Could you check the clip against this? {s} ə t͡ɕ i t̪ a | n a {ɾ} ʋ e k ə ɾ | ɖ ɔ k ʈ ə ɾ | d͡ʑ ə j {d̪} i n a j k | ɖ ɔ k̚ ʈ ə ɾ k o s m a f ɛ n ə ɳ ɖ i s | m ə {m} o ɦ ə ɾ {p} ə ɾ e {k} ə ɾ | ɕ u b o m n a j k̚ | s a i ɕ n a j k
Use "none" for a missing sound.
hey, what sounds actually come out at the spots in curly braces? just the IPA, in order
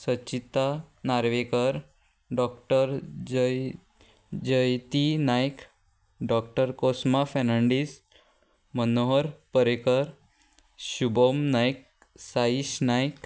s, ɾ, t̪, n, p, k

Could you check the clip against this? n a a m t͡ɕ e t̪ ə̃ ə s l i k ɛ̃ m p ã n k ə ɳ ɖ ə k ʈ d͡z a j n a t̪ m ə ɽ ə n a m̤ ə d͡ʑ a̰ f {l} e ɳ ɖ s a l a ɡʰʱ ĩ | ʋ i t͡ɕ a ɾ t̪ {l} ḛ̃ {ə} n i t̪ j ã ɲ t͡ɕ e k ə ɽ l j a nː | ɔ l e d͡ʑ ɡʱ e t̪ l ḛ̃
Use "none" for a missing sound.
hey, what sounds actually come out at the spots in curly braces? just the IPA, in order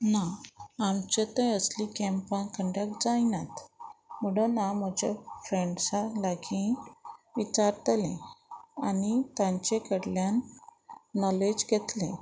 ɾ, l, a

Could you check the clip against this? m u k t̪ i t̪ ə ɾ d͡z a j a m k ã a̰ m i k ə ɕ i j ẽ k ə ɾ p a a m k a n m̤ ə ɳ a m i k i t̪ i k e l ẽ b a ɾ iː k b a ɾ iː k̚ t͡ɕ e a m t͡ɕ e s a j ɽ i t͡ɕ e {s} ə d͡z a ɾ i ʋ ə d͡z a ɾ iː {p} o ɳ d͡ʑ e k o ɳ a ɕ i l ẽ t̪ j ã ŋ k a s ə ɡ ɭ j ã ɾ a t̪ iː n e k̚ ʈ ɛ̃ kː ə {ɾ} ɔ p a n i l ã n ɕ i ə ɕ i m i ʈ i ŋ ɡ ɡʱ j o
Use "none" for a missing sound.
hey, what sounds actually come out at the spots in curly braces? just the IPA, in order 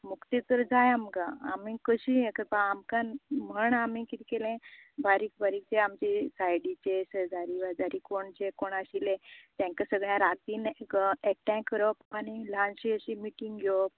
s, k, ɾ

